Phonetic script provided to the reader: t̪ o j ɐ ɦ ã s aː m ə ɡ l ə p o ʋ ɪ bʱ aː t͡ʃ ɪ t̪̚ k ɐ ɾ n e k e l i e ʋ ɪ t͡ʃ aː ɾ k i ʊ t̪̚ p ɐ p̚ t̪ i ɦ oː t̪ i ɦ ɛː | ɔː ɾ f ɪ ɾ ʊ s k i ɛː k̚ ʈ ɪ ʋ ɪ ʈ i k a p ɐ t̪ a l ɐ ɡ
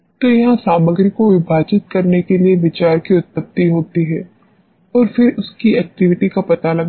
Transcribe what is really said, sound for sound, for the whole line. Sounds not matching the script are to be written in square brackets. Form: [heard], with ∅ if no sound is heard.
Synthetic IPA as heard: t̪ o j ɐ ɦ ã s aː m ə ɡ [ɾ] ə [k] o ʋ ɪ bʱ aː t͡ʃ ɪ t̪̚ k ɐ ɾ n e k e l i e ʋ ɪ t͡ʃ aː ɾ k i ʊ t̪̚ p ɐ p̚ t̪ i ɦ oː t̪ i ɦ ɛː | ɔː ɾ f ɪ ɾ ʊ s k i ɛː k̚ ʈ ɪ ʋ ɪ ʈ i k a p ɐ t̪ a l ɐ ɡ